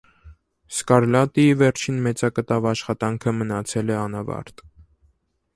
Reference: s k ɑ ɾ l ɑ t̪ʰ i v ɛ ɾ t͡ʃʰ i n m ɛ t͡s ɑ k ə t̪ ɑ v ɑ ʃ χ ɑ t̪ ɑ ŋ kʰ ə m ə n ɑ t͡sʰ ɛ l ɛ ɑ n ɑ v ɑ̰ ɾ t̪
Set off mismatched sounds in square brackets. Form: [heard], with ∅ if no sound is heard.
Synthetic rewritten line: s k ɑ ɾ l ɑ [t̪] i v ɛ ɾ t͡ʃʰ i n m ɛ t͡s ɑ k ə t̪ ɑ v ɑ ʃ χ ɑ t̪ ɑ ŋ kʰ ə m ə n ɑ t͡sʰ ɛ l ɛ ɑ n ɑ v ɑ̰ ɾ t̪